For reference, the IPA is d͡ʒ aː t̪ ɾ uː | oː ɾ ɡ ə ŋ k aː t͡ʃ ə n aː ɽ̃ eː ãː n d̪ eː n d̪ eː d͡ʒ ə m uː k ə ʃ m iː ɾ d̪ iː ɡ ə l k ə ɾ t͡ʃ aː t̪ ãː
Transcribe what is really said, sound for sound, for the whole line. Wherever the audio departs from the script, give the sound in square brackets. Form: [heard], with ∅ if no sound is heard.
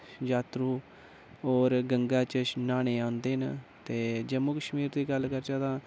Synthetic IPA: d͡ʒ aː t̪ ɾ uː | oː ɾ ɡ ə ŋ [ɡ] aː t͡ʃ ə n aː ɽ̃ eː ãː n d̪ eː n [t̪] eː d͡ʒ ə m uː k ə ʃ m iː ɾ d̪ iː ɡ ə l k ə ɾ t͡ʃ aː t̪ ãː